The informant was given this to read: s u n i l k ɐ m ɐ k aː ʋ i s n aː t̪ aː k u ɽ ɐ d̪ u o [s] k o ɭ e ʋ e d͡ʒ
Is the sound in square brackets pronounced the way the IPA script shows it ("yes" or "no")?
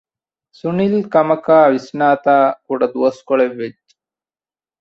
yes